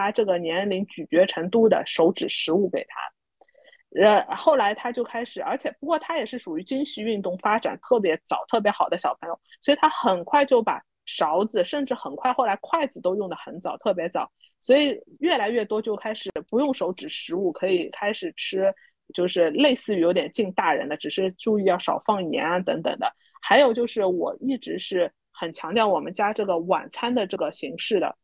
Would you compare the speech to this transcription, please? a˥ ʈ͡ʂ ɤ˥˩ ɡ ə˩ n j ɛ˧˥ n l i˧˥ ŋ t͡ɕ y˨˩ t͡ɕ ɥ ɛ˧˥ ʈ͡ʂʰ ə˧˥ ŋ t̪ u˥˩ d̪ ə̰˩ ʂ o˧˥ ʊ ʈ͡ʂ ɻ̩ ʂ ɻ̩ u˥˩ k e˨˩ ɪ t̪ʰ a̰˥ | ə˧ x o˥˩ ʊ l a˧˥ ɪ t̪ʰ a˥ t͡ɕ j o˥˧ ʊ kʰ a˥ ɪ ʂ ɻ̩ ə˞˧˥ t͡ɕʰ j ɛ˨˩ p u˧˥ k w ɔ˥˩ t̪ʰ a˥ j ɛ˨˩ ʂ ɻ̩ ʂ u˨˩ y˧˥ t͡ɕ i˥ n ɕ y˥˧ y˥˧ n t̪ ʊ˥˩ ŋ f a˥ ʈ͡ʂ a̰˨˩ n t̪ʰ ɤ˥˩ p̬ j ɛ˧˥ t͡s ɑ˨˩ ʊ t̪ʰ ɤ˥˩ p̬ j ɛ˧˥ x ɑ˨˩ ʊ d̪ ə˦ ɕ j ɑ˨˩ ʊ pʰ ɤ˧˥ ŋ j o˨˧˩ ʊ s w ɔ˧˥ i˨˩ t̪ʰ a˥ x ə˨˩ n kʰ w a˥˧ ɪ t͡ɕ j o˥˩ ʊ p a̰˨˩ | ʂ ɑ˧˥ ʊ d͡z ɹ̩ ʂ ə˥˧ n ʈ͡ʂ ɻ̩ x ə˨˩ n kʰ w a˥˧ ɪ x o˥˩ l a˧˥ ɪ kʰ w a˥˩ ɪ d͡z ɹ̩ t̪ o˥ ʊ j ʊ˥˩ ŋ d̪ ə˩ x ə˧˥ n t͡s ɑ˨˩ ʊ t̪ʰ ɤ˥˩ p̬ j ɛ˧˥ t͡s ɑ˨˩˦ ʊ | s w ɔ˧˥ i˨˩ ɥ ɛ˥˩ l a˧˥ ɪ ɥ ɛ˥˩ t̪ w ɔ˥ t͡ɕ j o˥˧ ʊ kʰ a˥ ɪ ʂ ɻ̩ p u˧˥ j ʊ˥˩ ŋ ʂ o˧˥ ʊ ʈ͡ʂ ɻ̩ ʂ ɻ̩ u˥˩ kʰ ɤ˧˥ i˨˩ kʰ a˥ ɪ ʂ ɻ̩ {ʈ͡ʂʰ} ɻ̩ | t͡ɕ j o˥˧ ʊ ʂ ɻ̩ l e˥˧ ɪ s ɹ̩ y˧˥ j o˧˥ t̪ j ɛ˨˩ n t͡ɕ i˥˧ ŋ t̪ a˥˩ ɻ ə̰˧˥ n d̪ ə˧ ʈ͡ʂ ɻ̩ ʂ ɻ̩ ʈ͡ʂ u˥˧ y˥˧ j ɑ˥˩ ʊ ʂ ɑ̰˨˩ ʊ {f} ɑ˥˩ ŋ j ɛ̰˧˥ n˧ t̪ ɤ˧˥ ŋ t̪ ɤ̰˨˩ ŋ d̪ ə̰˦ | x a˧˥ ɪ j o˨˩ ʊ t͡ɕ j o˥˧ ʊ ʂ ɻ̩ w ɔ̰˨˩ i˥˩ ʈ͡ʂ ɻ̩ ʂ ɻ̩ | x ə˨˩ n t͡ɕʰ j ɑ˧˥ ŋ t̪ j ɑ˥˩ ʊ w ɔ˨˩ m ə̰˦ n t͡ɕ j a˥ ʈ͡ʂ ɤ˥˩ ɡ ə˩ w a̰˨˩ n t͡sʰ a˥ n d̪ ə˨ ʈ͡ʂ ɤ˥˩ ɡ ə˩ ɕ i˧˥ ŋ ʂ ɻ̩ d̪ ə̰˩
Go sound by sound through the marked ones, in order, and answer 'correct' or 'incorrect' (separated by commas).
correct, correct